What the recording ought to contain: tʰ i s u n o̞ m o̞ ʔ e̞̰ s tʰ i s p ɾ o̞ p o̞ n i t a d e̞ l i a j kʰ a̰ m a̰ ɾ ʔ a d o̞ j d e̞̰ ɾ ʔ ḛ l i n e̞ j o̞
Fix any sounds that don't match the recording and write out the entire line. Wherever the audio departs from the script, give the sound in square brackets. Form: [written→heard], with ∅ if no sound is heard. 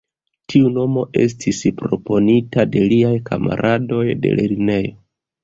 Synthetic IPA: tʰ i [s→∅] u n o̞ m o̞ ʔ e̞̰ s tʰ i s p ɾ o̞ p o̞ n i t a d e̞ l i a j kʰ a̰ m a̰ ɾ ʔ a d o̞ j d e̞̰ [ɾ→l] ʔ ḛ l i n e̞ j o̞